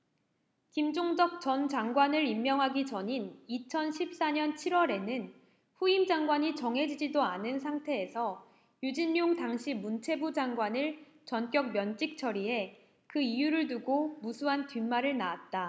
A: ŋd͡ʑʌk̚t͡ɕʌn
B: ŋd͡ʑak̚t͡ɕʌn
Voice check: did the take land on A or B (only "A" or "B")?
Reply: A